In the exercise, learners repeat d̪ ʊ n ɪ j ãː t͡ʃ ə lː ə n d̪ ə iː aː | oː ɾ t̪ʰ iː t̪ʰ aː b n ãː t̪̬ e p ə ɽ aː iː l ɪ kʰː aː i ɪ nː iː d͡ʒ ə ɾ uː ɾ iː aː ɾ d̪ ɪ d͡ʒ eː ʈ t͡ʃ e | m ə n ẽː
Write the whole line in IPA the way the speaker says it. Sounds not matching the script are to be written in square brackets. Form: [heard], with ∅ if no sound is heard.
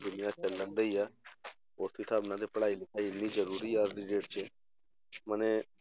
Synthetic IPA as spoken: d̪ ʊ n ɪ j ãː t͡ʃ ə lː ə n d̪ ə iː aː | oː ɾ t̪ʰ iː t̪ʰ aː b n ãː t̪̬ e p ə ɽ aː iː l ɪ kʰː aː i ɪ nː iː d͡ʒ ə ɾ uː ɾ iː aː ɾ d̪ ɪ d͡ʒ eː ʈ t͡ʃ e | m ə n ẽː